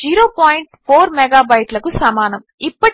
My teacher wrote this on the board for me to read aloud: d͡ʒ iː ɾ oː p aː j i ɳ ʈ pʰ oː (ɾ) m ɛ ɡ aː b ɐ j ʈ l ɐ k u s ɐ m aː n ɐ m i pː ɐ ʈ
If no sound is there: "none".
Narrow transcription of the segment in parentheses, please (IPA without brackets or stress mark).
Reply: ɾ